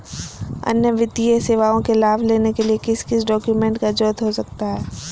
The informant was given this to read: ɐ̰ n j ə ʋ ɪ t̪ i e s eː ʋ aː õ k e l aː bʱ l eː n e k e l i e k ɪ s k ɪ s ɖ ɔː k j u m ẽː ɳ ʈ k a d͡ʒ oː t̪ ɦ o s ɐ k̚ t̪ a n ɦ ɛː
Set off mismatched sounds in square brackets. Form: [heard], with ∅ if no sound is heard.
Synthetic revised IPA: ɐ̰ n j ə ʋ ɪ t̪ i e s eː ʋ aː õ k e l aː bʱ l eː n e k e l i e k ɪ s k ɪ s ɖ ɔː k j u m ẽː ɳ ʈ k a d͡ʒ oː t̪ ɦ o s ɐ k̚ t̪ a [∅] ɦ ɛː